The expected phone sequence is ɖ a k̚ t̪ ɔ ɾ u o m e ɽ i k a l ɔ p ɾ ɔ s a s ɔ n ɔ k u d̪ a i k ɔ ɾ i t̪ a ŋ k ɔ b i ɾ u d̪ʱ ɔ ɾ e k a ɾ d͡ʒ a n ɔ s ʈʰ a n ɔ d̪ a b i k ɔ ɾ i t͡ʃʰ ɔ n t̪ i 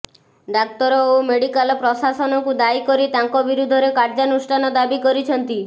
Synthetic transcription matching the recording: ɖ a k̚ t̪ ɔ ɾ ɔ o m e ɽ i k a l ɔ p ɾ ɔ s a s ɔ n ɔ k u d̪ a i k ɔ ɾ i t̪ a ŋ k ɔ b i ɾ u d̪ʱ ɔ ɾ e k a ɾ d͡ʒ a n u s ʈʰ a n ɔ d̪ a b i k ɔ ɾ i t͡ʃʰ ɔ n t̪ i